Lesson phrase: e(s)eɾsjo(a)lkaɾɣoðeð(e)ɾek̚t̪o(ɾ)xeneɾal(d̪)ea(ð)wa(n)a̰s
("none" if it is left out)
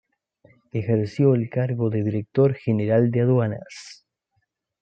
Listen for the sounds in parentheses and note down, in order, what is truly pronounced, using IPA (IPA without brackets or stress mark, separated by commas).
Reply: x, e, i, ɾ, d̪, ð, n